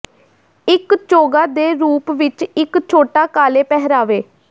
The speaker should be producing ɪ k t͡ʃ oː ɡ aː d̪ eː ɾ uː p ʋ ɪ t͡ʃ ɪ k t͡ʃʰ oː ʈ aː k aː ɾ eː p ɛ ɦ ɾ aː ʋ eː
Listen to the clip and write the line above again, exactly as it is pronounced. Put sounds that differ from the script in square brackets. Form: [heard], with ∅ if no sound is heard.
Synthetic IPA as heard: ɪ k t͡ʃ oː ɡ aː d̪ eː ɾ uː p ʋ ɪ t͡ʃ ɪ k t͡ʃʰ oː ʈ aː k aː [l] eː p ɛ ɦ ɾ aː ʋ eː